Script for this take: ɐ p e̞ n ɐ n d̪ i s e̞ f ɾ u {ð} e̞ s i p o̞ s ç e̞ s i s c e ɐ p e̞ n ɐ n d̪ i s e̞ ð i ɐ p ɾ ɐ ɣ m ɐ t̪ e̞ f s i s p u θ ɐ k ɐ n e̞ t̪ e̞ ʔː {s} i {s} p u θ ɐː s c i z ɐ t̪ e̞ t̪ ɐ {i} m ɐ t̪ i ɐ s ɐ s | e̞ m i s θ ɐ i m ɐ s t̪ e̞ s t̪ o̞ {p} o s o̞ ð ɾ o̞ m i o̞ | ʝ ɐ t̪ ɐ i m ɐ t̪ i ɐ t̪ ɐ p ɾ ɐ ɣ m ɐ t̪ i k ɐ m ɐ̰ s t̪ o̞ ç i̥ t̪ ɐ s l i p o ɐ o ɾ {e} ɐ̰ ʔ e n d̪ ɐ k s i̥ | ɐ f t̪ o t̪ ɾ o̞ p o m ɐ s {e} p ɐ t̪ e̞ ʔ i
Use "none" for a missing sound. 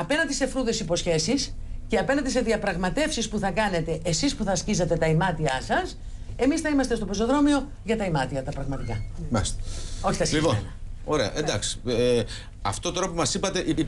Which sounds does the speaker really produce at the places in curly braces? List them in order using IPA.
ð, s, s, i, p, e, i

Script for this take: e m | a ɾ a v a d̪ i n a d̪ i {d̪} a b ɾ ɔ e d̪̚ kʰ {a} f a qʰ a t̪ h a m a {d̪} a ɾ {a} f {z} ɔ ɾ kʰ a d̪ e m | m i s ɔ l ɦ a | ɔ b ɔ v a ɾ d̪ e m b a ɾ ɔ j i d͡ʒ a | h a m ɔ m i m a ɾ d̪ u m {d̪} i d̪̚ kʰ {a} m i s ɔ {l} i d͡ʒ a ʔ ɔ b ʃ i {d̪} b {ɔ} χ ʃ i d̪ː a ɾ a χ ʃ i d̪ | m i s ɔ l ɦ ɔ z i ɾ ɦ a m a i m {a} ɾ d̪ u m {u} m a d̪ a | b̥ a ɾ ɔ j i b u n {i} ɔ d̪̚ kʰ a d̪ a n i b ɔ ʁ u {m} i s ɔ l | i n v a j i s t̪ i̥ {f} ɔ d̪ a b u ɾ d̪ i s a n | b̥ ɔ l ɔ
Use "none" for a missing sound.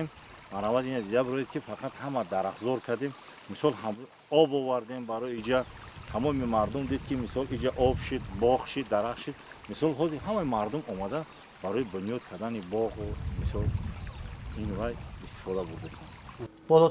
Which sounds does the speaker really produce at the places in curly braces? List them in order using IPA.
d̪, i, d̪, a, z, d̪, i, l, d̪, ɔ, a, ɔ, j, m, f

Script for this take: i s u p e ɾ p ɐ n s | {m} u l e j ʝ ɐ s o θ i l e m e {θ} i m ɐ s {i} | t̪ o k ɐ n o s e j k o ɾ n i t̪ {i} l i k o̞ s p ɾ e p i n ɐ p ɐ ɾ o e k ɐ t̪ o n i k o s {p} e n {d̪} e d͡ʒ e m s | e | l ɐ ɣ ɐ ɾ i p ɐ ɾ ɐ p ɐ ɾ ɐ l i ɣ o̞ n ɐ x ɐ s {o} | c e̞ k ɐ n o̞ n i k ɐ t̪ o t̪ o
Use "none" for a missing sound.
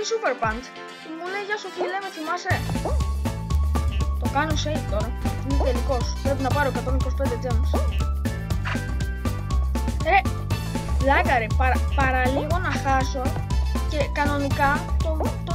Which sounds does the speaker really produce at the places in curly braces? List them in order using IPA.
m, θ, e, e, p, d̪, o

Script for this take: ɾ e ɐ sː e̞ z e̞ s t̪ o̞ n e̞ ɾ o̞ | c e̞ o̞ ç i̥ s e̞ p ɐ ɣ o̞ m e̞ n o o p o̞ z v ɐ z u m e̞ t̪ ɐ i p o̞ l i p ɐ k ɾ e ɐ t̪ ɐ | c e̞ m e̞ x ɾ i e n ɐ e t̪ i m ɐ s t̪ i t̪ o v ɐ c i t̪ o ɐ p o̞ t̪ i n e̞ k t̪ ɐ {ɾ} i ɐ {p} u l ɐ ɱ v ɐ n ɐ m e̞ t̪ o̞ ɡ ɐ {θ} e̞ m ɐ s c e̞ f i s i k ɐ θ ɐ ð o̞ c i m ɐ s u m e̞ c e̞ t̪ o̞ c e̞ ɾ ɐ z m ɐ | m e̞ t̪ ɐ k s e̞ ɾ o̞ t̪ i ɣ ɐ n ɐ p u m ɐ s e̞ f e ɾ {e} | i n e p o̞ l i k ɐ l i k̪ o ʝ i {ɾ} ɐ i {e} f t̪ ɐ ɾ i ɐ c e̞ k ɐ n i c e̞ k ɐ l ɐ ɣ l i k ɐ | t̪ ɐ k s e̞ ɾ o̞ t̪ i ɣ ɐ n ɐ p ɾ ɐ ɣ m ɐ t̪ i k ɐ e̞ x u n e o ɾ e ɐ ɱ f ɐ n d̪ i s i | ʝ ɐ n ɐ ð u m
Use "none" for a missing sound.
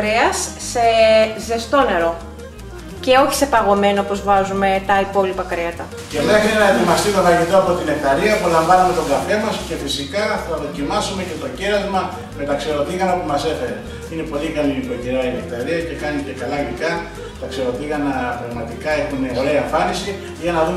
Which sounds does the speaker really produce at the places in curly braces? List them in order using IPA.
ɾ, p, f, e, ɾ, e

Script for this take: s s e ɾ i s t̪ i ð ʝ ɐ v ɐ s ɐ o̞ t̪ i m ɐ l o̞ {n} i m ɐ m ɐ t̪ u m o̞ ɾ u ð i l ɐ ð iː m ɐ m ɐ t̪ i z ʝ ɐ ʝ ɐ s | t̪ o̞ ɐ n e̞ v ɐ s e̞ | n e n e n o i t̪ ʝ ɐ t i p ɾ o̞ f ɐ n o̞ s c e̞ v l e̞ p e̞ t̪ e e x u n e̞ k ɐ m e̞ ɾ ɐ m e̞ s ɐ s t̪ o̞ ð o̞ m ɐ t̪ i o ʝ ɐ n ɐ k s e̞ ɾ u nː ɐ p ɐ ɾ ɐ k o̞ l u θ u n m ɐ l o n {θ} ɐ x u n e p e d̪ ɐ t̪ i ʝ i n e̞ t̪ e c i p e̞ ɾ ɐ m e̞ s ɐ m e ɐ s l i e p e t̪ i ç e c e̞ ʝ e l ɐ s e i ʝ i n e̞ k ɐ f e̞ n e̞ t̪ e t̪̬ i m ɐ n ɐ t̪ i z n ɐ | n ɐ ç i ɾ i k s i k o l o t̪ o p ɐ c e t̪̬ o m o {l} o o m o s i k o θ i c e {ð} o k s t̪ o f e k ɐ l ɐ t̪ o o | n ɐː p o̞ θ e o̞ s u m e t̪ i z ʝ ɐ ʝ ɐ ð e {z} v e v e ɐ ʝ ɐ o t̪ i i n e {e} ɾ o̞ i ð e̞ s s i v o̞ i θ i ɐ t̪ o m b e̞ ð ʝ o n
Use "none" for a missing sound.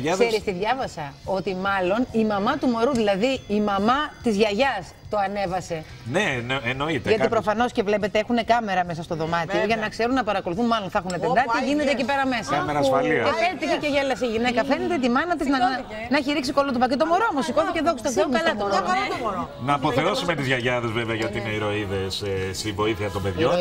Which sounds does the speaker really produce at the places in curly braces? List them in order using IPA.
n, θ, ɾ, ð, z, i

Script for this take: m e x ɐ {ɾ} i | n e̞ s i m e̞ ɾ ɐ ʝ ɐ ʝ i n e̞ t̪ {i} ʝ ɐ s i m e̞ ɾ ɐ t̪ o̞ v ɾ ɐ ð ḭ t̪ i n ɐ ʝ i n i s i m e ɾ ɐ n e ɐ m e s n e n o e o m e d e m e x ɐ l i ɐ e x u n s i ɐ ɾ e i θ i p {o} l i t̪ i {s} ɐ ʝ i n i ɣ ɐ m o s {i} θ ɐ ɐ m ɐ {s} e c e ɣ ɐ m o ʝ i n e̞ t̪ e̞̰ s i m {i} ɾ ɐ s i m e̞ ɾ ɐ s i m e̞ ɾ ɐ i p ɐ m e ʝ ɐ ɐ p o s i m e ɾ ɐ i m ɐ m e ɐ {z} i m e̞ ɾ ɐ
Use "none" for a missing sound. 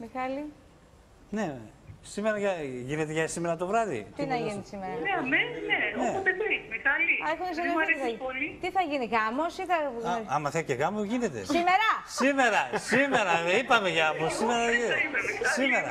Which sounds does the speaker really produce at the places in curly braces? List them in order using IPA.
l, e, o, θ, i, θ, e, s

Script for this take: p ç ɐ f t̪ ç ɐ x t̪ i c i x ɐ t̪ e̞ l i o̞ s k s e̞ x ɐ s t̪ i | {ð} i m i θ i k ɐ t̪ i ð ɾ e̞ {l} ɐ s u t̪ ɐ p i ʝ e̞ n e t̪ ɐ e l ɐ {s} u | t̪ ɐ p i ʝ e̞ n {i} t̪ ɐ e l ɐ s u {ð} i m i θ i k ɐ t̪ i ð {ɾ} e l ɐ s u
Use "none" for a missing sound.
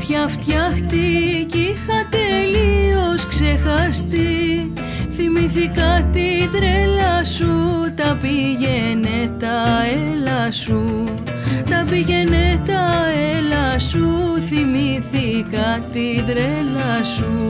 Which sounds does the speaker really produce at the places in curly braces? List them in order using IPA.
θ, l, s, e, θ, ɾ

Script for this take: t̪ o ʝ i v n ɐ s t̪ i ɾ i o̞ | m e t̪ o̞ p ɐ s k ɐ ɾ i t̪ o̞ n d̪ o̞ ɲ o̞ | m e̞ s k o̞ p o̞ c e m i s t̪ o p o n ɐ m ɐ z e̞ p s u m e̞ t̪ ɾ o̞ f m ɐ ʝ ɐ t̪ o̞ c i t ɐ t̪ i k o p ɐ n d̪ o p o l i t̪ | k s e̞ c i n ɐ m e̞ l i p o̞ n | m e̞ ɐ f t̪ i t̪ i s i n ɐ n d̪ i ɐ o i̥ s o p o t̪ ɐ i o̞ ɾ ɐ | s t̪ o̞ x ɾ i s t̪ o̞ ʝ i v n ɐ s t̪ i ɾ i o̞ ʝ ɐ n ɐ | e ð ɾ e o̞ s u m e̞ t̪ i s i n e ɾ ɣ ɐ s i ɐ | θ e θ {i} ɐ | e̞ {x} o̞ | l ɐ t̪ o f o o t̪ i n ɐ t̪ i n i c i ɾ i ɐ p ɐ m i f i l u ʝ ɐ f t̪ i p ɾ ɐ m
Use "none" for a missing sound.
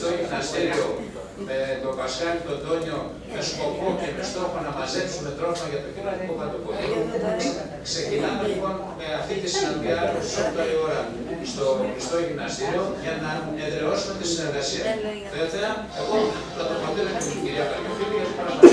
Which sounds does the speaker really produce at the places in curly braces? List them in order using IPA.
e, ɣ

